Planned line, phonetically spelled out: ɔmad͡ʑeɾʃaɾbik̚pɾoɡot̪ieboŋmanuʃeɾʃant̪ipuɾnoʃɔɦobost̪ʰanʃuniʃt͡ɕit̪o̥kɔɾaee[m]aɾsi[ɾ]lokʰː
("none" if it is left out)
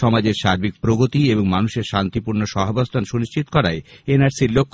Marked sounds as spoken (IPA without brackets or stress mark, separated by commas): n, ɾ